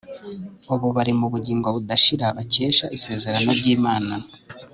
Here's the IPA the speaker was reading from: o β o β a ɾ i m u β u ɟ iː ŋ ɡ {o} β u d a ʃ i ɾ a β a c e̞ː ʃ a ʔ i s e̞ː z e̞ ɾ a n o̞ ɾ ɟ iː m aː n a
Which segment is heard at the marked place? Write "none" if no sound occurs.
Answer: o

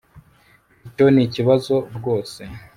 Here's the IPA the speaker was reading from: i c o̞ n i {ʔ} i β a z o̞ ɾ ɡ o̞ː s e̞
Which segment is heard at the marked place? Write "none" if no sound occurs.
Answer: c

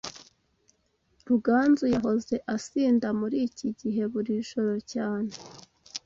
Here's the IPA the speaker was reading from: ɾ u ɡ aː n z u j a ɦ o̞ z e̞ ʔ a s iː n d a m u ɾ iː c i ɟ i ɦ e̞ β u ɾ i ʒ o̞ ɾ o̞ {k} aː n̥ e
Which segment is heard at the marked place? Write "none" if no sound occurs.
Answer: c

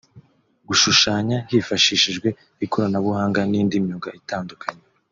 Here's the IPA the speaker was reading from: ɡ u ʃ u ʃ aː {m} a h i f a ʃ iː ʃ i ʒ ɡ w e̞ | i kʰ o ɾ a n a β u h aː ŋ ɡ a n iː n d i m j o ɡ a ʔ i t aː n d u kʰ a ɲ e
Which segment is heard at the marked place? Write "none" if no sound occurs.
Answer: ɲ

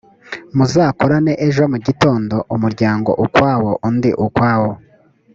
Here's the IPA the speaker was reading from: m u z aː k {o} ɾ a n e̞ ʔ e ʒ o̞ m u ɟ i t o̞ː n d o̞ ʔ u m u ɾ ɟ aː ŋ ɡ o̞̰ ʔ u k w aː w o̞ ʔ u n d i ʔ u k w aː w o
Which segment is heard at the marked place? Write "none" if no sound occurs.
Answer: o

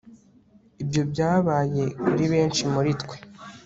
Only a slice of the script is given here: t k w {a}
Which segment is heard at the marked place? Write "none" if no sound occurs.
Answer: e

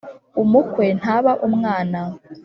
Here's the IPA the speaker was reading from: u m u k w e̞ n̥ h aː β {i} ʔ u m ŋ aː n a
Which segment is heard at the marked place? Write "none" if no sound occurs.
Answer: a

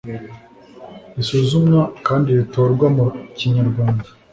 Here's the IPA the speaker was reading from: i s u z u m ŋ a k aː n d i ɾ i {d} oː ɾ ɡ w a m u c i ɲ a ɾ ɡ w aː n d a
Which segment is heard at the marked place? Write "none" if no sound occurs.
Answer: t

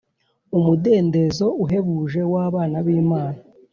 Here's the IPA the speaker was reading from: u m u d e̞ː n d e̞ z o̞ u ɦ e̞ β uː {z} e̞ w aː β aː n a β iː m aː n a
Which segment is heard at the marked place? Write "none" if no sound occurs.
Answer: ʒ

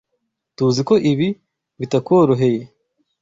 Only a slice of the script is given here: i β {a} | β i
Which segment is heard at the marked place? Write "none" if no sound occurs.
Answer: i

